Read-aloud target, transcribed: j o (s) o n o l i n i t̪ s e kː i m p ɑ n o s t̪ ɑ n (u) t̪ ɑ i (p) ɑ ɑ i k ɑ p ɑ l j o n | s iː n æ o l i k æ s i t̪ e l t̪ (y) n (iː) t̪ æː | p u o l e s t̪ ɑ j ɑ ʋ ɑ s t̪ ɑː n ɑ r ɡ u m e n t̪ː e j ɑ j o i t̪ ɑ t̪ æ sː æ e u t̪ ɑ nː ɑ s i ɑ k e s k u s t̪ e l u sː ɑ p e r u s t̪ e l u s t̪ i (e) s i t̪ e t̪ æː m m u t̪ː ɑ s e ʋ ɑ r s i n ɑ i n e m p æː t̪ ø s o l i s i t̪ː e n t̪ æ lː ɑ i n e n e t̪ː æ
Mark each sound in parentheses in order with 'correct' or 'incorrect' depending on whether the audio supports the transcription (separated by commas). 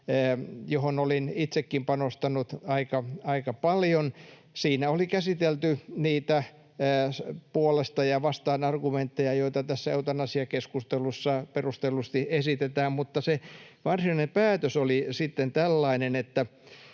incorrect, correct, incorrect, correct, correct, correct